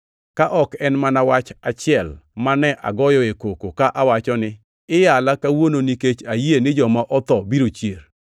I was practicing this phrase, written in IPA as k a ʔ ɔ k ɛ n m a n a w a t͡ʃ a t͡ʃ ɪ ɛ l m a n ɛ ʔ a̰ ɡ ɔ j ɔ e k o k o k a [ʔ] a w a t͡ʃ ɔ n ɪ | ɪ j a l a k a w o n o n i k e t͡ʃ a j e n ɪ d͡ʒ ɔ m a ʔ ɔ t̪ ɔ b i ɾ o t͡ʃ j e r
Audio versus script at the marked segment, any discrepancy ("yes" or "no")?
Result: no